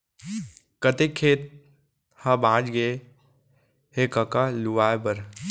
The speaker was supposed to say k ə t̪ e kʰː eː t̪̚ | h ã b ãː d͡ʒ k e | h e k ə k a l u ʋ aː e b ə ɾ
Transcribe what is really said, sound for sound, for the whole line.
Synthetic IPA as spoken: k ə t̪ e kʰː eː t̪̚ | h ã b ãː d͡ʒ ɡ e | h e k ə k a l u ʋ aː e b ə ɾ